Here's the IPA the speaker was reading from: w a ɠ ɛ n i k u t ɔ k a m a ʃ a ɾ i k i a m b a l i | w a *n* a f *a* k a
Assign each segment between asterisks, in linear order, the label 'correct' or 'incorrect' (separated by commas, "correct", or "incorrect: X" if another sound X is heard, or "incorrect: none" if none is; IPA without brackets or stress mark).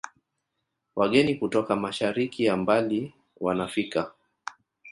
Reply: correct, incorrect: i